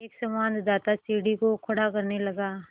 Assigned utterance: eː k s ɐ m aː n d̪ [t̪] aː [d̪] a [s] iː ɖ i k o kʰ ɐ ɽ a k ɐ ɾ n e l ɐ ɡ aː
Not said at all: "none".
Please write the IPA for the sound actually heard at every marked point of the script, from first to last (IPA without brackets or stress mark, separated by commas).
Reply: d̪, t̪, s